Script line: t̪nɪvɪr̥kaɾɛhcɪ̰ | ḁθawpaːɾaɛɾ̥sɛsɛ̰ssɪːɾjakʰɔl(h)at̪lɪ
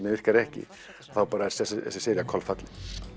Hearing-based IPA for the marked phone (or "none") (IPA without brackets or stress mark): f